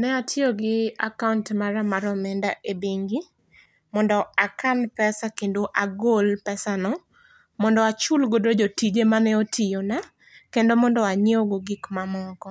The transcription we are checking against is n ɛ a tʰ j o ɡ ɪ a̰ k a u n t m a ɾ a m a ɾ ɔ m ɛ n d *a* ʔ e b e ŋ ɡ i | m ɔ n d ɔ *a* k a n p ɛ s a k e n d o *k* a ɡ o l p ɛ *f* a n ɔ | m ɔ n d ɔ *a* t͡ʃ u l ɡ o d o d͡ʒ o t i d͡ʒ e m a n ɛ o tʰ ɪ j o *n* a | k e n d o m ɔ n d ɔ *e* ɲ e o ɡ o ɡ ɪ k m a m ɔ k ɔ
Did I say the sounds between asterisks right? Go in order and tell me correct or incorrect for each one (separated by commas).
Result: correct, correct, incorrect, incorrect, correct, correct, incorrect